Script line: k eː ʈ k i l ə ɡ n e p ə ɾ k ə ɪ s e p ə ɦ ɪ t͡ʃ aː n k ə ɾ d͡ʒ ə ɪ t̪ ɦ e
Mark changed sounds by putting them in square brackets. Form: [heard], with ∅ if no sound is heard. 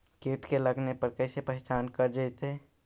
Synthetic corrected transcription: k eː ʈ k [e] l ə ɡ n e p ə ɾ k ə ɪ s e p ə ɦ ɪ t͡ʃ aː n k ə ɾ d͡ʒ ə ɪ t̪ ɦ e